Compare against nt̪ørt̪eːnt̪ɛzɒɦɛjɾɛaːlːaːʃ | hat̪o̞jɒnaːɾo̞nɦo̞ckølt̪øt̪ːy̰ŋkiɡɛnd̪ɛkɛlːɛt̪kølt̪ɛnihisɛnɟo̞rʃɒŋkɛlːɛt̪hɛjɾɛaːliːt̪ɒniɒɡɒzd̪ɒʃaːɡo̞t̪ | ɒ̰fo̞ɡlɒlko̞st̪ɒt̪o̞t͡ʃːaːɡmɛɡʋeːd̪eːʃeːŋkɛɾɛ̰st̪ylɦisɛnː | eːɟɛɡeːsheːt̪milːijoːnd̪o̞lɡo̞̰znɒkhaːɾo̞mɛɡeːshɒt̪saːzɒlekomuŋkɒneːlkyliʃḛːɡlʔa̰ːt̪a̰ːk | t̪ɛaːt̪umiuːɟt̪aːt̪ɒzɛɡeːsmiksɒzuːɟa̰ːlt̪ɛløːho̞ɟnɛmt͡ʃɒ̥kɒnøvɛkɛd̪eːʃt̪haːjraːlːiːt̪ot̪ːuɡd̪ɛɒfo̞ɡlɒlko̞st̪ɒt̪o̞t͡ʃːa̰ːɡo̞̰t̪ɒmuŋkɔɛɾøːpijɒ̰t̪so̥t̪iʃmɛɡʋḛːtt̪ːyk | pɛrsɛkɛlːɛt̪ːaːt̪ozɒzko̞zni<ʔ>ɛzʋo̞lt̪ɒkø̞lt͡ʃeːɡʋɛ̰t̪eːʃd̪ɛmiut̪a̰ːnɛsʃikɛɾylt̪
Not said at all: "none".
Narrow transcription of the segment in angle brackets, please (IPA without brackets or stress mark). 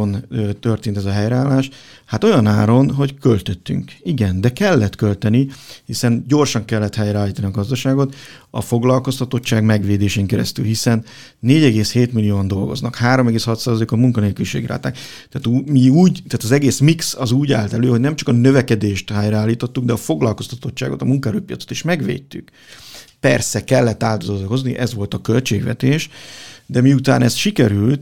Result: ʔ